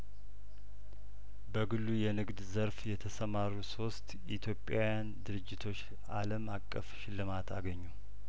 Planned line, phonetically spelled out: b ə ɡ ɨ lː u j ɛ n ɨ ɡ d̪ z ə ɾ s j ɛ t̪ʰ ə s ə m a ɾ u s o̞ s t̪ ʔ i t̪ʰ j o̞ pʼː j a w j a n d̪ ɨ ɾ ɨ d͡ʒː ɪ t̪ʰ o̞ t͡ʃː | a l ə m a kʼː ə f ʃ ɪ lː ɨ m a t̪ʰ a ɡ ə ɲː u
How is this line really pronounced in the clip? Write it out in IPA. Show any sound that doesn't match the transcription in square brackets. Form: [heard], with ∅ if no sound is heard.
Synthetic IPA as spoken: b ə ɡ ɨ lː u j ɛ n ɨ ɡ d̪ z ə ɾ [f] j ɛ t̪ʰ ə s ə m a ɾ u s o̞ s t̪ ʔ i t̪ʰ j o̞ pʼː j a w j a n d̪ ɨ ɾ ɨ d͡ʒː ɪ t̪ʰ o̞ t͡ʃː | a l ə m a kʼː ə f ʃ ɪ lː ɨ m a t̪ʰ a ɡ ə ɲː u